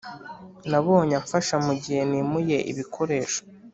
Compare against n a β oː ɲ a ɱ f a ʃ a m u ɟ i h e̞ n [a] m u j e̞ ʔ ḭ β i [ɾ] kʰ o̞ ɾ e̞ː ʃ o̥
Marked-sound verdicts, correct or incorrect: incorrect, incorrect

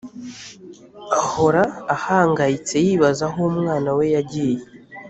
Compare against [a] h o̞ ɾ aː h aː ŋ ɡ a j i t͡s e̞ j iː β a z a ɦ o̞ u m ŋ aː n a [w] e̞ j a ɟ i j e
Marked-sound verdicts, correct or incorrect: correct, correct

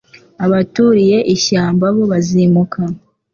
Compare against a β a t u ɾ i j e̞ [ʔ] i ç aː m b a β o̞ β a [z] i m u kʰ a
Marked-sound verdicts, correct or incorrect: correct, correct

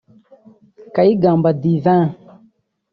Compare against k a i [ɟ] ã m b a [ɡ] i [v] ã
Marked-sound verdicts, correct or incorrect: incorrect, incorrect, correct

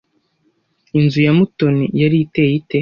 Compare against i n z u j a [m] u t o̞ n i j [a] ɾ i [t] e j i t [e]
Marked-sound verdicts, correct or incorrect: correct, correct, correct, correct

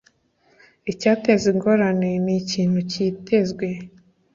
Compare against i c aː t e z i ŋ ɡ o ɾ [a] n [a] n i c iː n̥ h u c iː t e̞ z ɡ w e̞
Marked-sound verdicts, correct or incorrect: correct, incorrect

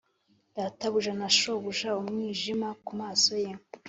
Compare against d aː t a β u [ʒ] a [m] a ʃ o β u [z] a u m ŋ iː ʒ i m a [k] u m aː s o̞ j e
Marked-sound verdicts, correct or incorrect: correct, incorrect, incorrect, correct

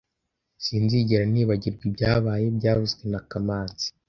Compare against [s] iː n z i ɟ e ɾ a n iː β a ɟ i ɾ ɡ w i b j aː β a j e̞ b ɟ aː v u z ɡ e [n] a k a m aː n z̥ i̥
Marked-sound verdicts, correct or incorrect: correct, correct

